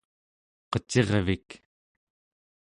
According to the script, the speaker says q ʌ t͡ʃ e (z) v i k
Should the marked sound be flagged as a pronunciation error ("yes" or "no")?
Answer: yes